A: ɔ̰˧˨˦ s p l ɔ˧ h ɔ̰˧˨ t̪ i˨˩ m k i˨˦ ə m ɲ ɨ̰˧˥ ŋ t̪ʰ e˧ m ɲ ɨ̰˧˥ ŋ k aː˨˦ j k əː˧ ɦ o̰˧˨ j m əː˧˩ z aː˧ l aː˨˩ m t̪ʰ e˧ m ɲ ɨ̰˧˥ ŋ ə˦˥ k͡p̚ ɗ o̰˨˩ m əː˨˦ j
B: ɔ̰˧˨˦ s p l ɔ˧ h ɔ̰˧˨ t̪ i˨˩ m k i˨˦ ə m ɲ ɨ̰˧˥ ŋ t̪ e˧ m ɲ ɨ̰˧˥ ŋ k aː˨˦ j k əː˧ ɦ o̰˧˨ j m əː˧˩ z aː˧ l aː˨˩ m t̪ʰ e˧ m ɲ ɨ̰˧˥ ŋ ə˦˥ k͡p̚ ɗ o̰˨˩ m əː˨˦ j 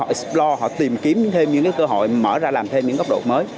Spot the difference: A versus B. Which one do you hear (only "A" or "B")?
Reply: A